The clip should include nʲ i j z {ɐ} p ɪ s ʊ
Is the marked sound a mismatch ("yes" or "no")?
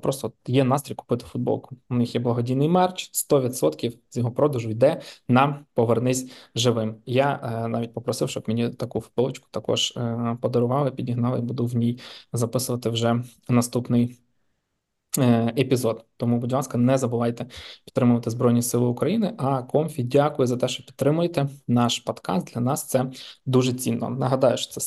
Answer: no